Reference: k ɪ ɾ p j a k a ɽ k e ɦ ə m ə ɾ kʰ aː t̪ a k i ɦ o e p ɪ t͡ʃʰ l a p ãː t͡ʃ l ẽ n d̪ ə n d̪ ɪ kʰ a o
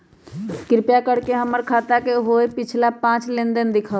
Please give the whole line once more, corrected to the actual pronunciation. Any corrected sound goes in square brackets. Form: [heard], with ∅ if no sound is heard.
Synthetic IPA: k ɪ ɾ p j a k [ə] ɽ k e ɦ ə m ə ɾ kʰ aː t̪ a k [e] ɦ o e p ɪ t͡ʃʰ l a p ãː t͡ʃ l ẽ n d̪ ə n d̪ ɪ kʰ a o